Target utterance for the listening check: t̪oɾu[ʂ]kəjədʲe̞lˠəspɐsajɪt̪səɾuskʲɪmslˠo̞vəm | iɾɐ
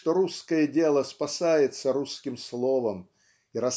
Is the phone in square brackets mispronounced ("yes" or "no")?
yes